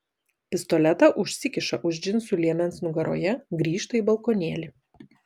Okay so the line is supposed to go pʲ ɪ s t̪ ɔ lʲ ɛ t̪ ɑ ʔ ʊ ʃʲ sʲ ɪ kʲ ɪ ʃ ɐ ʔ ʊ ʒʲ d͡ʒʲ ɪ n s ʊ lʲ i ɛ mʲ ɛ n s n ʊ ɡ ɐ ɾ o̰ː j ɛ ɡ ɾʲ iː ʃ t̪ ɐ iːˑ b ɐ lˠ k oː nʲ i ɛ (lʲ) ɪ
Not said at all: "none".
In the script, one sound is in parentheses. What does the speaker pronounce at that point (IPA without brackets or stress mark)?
lʲ